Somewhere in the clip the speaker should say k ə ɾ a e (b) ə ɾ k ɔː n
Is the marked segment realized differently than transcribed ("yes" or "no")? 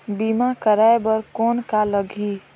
no